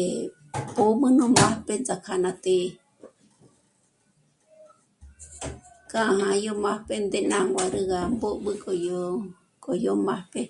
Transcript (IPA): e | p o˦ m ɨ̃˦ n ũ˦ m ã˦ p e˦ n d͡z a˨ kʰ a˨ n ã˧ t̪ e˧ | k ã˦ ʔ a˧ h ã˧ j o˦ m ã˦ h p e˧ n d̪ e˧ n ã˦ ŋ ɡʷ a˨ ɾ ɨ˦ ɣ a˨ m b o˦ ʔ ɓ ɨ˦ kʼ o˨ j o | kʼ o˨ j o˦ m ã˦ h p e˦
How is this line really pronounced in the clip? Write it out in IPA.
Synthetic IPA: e | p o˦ m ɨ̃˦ n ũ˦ m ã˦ p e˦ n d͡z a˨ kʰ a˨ n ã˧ t̪ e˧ | k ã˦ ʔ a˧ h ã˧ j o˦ m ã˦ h p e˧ n d̪ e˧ n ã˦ ŋ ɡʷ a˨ ɾ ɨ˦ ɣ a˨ m b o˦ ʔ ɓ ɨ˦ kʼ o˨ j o | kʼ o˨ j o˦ m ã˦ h p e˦